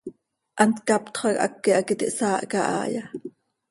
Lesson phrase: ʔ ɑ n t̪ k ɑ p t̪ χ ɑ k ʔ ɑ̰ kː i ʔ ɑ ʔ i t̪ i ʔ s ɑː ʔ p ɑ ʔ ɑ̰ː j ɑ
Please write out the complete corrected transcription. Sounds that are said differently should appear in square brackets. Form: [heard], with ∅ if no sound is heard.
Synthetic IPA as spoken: ʔ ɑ n t̪ k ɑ p t̪ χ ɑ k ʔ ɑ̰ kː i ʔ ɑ [k] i t̪ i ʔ s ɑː ʔ [k] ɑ ʔ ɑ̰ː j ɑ